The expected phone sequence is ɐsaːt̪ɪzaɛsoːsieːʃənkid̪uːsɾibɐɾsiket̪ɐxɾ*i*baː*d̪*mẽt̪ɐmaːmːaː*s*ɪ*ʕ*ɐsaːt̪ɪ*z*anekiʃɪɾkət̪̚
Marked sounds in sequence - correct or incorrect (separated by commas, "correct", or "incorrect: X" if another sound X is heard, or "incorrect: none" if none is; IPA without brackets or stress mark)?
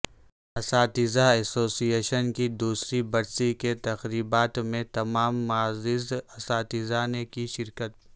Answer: incorrect: iː, incorrect: t̪, incorrect: z, incorrect: z, correct